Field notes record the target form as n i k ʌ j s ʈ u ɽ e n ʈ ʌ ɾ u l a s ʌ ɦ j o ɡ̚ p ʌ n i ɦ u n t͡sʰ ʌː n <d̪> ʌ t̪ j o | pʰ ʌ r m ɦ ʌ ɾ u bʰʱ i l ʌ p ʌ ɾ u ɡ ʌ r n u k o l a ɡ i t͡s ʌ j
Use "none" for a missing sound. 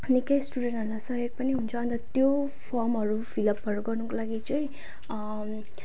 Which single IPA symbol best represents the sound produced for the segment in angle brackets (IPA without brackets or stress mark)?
t̪